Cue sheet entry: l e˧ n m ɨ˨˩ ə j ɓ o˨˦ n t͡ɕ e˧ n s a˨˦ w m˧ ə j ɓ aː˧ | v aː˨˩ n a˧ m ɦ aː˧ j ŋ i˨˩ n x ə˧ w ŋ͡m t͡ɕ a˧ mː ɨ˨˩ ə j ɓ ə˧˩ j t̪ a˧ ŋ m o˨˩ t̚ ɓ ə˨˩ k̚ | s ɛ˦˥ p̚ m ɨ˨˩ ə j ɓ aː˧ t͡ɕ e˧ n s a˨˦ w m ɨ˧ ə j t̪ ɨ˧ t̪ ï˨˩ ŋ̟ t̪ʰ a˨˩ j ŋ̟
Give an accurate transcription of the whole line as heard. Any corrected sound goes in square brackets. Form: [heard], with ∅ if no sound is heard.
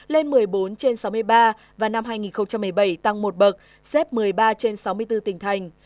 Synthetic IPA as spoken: l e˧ n m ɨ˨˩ ə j ɓ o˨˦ n t͡ɕ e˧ n s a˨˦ w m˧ ə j ɓ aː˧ | v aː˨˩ n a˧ m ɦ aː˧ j ŋ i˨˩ n x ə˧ w ŋ͡m t͡ɕ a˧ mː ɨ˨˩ ə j ɓ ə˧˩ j t̪ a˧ ŋ m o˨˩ t̚ ɓ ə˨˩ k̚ | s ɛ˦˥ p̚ m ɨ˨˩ ə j ɓ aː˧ t͡ɕ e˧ n s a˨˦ w m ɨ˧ ə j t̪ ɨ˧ t̪ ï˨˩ ŋ̟ t̪ʰ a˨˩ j ŋ̟